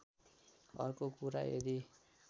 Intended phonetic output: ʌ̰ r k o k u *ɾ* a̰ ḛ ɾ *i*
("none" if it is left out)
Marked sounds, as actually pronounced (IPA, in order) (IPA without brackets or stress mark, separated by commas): ɾ, i